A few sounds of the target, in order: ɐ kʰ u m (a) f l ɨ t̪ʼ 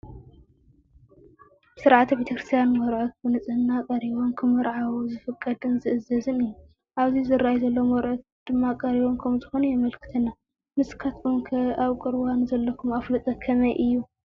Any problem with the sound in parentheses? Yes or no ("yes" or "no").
no